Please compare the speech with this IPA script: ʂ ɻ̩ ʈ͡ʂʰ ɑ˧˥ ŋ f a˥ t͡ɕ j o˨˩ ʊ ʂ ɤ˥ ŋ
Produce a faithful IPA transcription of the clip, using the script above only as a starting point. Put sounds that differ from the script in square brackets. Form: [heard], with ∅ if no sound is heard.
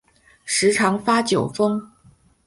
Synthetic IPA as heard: ʂ ɻ̩ ʈ͡ʂʰ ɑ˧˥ ŋ f a˥ t͡ɕ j o˨˩ ʊ [f] ɤ˥ ŋ